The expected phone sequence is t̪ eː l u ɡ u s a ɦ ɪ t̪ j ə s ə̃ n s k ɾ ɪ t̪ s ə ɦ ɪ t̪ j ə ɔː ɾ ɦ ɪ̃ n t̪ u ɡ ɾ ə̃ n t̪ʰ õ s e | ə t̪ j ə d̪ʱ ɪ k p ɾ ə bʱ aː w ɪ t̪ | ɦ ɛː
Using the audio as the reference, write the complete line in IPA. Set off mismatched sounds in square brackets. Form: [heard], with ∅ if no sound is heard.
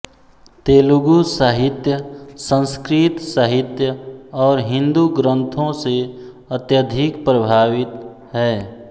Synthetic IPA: t̪ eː l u ɡ u s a ɦ ɪ t̪ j ə s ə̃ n s k ɾ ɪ t̪ s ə ɦ ɪ t̪ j ə ɔː ɾ ɦ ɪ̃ n [d̪] u ɡ ɾ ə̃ n t̪ʰ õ s e | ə t̪ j ə d̪ʱ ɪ k p ɾ ə bʱ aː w ɪ t̪ | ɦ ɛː